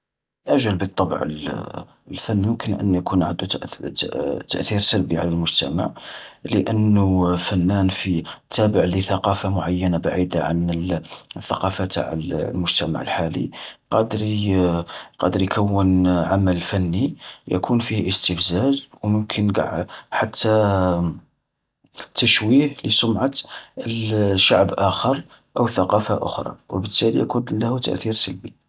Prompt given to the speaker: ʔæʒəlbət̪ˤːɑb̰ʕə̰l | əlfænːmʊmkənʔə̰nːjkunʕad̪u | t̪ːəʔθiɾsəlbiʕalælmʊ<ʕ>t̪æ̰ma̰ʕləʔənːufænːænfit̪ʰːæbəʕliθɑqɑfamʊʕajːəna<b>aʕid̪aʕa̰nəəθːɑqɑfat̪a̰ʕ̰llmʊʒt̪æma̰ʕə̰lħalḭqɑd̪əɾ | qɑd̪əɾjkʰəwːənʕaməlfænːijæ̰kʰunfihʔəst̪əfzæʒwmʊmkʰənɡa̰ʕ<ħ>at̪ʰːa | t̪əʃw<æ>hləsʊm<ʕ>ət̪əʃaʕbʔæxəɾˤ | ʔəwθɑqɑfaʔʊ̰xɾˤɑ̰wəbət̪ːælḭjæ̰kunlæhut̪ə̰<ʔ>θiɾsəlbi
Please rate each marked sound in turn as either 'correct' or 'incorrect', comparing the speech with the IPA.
incorrect: ʒ, correct, correct, incorrect: i, correct, correct

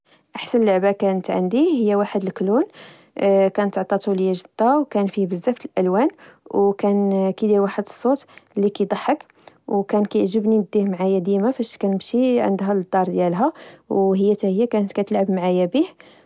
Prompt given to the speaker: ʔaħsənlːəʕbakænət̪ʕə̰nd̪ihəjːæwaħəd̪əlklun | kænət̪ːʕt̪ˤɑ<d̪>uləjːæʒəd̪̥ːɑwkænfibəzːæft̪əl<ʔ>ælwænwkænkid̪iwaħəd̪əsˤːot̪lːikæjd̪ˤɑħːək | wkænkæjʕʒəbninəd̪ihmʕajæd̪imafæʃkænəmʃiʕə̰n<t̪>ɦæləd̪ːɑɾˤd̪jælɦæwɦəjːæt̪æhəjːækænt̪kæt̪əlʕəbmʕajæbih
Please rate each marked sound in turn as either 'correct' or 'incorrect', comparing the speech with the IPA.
incorrect: t̪, correct, incorrect: d̪

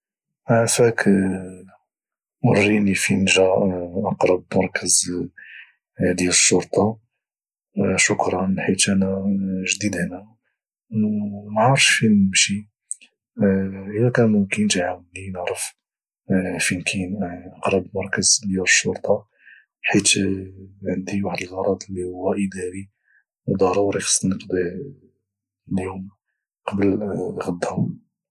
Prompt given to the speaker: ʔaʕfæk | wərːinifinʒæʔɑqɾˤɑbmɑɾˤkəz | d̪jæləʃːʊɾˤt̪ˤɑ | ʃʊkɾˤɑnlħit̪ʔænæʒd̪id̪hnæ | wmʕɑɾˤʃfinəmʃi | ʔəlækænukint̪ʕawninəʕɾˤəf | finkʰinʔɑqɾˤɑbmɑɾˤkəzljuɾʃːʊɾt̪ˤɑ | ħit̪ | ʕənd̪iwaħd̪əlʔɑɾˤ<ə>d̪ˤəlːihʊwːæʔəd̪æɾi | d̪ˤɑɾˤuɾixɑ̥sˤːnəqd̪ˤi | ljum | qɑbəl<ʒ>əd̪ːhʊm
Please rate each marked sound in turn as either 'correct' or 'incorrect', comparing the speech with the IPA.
incorrect: ɑ, incorrect: ɣ

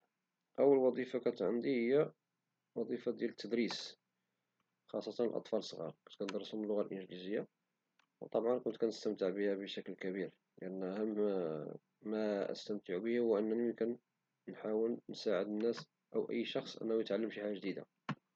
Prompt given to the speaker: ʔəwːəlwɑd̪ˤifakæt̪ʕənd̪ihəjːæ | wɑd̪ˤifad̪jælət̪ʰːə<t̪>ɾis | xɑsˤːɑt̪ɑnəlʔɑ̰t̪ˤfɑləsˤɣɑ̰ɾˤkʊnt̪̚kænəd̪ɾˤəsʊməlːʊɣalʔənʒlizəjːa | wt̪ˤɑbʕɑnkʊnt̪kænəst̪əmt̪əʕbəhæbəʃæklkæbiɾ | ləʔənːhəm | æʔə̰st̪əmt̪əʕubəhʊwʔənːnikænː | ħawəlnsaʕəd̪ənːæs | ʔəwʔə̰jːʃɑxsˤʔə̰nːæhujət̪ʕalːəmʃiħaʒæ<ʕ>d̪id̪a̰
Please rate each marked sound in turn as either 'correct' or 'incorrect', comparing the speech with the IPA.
incorrect: d̪, incorrect: ʒ

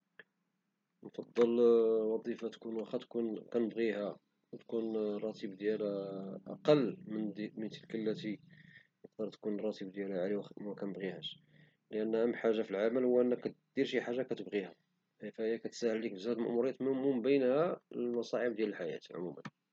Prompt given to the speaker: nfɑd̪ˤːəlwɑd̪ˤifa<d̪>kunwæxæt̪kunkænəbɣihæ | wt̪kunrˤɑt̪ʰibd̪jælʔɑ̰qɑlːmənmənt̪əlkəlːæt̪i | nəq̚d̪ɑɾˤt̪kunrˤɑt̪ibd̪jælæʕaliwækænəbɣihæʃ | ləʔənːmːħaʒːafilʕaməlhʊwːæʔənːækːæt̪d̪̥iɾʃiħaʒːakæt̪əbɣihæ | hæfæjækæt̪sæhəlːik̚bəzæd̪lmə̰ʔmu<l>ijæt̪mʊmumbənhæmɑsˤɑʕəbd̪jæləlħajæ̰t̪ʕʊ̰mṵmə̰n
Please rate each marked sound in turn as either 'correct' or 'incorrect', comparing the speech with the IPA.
incorrect: t̪, incorrect: ɾ

